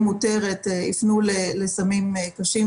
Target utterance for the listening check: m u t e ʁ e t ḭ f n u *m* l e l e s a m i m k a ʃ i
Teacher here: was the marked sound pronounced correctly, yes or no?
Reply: no